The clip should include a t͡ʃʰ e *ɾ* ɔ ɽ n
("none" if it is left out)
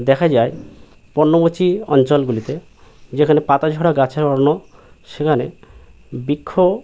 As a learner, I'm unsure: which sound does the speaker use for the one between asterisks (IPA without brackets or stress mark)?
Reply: ɾ